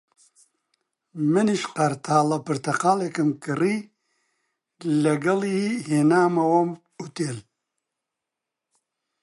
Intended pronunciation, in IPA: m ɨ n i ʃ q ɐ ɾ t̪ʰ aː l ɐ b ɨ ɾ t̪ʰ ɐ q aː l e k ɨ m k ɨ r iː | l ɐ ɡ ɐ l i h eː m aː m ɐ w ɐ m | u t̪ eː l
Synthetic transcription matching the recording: m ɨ n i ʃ q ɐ ɾ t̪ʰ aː l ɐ p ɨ ɾ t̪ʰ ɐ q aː l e k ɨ m k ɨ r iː | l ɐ ɡ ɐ l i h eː n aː m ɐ w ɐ m | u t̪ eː l